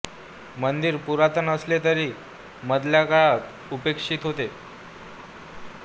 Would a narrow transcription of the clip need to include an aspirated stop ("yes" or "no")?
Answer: no